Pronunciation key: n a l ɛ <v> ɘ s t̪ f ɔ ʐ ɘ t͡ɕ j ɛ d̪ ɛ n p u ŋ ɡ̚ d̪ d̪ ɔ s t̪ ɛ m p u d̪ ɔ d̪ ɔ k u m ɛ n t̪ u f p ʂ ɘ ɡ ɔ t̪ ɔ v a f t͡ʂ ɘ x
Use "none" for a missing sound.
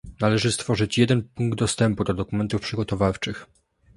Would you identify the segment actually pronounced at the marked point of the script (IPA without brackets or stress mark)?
ʐ